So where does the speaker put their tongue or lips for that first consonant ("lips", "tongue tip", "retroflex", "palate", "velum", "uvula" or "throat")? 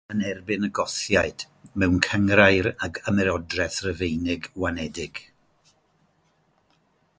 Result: tongue tip